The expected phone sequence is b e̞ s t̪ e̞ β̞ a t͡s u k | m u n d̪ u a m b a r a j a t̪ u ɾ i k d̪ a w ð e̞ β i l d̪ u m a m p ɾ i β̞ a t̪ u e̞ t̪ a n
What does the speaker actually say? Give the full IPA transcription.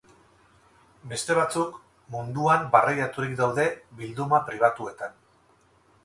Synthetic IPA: b e̞ s t̪ e̞ β̞ a t͡s u k | m u n d̪ u a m b a r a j a t̪ u ɾ i k d̪ a w ð e̞ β i l d̪ u m a p ɾ i β̞ a t̪ u e̞ t̪ a n